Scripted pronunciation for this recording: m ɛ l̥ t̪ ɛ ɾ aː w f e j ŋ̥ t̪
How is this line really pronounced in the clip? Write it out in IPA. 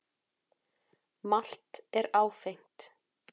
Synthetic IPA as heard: m a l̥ t̪ ɛ ɾ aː w f e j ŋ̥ t̪